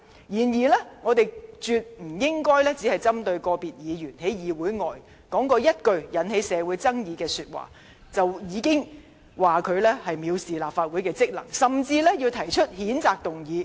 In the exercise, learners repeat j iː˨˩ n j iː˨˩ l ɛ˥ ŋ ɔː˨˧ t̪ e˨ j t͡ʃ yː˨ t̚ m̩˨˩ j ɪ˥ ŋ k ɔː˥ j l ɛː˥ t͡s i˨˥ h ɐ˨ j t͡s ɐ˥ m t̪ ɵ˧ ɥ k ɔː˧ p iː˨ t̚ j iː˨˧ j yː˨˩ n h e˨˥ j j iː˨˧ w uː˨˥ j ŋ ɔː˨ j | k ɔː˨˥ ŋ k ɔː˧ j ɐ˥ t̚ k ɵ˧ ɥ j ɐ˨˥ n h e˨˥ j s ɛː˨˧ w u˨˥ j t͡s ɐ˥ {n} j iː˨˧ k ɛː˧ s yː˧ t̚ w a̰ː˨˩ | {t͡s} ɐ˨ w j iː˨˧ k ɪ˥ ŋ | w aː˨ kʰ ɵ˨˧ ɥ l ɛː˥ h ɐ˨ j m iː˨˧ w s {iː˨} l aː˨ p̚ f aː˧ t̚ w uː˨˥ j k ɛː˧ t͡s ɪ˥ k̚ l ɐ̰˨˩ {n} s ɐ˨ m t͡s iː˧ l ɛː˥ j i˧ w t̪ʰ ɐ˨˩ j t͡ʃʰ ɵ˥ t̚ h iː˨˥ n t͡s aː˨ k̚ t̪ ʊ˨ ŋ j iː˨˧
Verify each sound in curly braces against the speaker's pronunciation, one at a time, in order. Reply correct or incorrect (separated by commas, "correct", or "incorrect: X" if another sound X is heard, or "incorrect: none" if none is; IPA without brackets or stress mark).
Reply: incorrect: ŋ, correct, correct, incorrect: ŋ